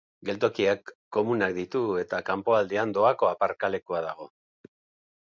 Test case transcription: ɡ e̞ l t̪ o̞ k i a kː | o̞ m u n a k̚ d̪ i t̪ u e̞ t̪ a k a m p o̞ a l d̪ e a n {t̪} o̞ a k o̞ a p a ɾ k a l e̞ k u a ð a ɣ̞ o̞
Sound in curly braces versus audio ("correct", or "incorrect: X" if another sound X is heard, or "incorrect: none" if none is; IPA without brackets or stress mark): incorrect: d̪